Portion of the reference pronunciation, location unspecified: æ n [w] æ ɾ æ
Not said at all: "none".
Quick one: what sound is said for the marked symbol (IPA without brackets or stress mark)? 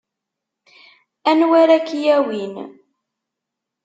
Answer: w